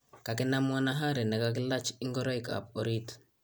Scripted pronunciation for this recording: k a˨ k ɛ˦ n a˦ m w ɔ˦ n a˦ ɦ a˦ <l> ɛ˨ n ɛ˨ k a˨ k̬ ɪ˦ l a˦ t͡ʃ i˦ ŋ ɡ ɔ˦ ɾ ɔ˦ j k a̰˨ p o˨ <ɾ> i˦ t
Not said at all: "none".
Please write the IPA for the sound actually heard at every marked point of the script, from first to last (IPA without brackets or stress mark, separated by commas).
ɾ, ɾ